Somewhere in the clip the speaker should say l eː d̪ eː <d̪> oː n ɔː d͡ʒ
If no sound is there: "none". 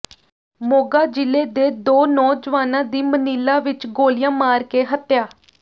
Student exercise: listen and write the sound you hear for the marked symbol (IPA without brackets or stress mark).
d̪